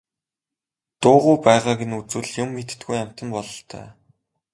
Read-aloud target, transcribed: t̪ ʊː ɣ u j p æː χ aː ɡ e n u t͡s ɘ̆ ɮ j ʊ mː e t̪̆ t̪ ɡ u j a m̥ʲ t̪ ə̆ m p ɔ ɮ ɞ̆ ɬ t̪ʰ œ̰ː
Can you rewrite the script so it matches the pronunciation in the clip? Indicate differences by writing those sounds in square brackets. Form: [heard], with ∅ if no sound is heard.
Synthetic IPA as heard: t̪ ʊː [ʁ] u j p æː [ʁ] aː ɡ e n u t͡s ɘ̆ ɮ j ʊ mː e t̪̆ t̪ ɡ u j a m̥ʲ t̪ ə̆ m p ɔ ɮ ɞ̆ ɬ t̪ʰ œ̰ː

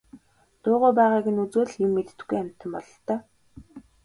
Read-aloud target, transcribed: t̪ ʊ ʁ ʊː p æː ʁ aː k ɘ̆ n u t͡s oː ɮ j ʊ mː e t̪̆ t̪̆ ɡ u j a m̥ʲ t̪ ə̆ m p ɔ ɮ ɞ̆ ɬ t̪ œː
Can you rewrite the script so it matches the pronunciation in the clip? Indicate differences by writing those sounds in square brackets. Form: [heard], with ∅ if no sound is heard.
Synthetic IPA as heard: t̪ [ʊː] ʁ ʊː p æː ʁ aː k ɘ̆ n u t͡s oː ɮ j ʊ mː e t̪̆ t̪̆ ɡ u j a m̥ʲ t̪ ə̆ m p ɔ ɮ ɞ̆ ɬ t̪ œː

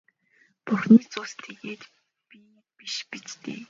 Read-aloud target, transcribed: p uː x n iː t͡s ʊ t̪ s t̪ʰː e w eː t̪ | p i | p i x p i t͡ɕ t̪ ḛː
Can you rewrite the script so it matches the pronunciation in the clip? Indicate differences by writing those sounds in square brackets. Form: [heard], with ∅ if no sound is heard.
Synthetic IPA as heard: p [u] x n iː t͡s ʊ [∅] s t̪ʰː e [ɣ] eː t̪ | p i | p i [ʃ] p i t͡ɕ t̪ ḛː

